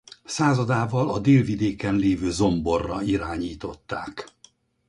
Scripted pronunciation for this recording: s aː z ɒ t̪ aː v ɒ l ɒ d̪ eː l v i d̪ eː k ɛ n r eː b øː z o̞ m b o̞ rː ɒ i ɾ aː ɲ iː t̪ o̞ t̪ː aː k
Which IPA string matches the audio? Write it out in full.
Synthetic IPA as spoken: s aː z ɒ d̪ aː v ɒ l ɒ d̪ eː l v i d̪ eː k ɛ n l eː v øː z o̞ m b o̞ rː ɒ i ɾ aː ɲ iː t̪ o̞ t̪ː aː k

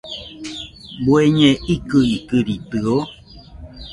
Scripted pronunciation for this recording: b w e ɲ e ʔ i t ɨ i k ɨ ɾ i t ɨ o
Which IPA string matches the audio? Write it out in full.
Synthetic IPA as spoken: b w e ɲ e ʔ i k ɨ i k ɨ ɾ i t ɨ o

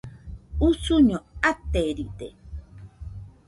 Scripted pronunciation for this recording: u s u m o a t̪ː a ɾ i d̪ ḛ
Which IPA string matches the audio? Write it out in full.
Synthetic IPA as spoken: u s u ɲ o a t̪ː e ɾ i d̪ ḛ

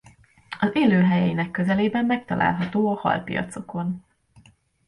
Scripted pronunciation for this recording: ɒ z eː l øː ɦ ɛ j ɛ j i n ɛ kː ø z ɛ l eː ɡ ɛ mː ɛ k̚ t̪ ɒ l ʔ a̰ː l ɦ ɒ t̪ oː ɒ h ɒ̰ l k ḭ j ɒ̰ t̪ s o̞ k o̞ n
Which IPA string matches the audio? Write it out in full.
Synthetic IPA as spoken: ɒ z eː l øː ɦ ɛ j ɛ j i n ɛ kː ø z ɛ l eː b ɛ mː ɛ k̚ t̪ ɒ l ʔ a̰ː l ɦ ɒ t̪ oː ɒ h ɒ̰ l p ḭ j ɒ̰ t̪ s o̞ k o̞ n

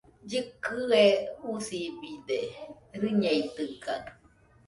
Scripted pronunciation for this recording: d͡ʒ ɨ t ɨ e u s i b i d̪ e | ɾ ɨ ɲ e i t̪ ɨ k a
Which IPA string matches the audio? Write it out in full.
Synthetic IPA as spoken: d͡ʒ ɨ k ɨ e u s i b i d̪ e | ɾ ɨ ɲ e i t̪ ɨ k a

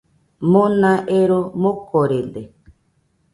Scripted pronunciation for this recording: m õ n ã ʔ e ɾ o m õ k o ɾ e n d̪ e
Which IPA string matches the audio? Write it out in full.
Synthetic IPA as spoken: m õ n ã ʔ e ɾ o m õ k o ɾ e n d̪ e

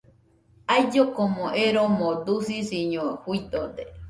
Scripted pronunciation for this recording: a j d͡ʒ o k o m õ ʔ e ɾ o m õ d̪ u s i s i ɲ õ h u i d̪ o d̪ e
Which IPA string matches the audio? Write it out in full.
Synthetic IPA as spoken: a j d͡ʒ o k o m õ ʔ e ɾ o m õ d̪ u s i s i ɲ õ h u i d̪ o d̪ e

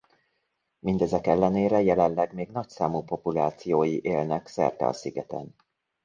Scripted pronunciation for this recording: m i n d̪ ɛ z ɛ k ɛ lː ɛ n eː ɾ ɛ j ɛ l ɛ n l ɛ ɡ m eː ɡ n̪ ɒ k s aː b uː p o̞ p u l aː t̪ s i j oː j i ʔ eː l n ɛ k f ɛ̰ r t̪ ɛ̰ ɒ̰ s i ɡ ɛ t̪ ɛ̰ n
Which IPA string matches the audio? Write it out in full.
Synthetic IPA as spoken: m i n d̪ ɛ z ɛ k ɛ lː ɛ n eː ɾ ɛ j ɛ l ɛ n l ɛ ɡ m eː ɡ n̪ ɒ c s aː m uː p o̞ p u l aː t̪ s i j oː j i ʔ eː l n ɛ k s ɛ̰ r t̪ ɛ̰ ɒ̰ s i ɡ ɛ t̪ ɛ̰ n

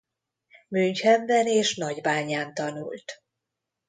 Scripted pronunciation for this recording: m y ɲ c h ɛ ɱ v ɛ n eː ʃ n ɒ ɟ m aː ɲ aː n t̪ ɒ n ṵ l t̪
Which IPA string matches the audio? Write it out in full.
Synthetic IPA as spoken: m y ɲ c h ɛ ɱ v ɛ n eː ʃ n ɒ ɟ b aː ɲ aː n t̪ ɒ n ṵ l t̪

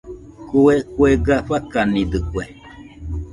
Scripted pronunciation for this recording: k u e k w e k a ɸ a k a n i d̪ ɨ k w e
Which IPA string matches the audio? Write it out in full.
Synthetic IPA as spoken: k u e k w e ɡ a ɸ a k a n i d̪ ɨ k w e

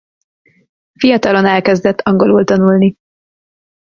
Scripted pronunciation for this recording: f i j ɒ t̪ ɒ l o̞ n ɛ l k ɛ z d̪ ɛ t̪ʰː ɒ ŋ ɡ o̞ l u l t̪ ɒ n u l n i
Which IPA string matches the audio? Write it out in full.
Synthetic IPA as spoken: f i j ɒ t̪ ɒ l o̞ n ɛ l k ɛ z d̪ ɛ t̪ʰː ɒ ŋ ɡ o̞ l u l t̪ ɒ n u l n i

